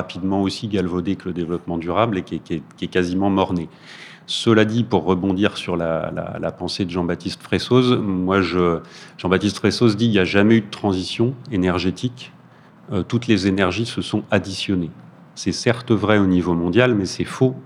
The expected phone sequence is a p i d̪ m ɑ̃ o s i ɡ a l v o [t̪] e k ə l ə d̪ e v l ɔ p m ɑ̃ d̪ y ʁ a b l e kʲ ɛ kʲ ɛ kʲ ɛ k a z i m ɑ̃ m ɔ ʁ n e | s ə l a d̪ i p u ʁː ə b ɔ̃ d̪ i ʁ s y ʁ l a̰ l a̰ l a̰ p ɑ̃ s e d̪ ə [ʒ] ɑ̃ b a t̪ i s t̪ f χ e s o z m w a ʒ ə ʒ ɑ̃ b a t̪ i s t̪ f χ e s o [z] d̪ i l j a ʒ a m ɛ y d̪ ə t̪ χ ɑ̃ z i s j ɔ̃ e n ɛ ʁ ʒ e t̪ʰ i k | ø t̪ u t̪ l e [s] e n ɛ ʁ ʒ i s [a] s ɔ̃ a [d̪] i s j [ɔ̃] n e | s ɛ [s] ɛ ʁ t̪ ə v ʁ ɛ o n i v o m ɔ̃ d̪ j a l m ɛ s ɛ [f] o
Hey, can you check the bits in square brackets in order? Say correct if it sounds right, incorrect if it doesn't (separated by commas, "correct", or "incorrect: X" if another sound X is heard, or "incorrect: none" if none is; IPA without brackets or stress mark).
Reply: incorrect: d̪, correct, correct, incorrect: z, incorrect: ə, correct, incorrect: ɔ, correct, correct